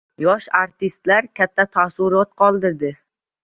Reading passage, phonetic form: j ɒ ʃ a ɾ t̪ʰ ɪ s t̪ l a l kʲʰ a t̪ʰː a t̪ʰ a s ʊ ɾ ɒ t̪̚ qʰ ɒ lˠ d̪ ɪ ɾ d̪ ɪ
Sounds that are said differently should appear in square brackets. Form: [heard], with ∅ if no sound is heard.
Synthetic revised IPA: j ɒ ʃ a ɾ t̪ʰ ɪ s t̪ l a [ɾ] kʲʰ a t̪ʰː a t̪ʰ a s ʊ ɾ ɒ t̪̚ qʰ ɒ lˠ d̪ ɪ ɾ d̪ ɪ